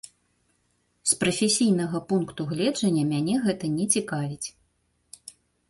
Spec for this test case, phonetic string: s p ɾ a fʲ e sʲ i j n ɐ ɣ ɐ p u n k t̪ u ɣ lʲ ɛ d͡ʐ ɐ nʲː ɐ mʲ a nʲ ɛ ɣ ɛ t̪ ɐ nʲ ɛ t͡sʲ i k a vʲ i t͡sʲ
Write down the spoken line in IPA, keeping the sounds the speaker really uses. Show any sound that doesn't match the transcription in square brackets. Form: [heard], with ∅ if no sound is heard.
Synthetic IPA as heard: s p ɾ [ɐ] fʲ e sʲ i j n ɐ ɣ ɐ p u n k t̪ u ɣ lʲ ɛ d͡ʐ ɐ nʲː ɐ mʲ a nʲ ɛ ɣ ɛ t̪ ɐ nʲ ɛ t͡sʲ i k a vʲ i t͡sʲ